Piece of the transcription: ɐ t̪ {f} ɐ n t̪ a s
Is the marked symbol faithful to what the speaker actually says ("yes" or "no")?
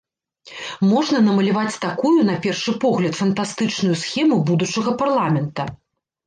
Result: yes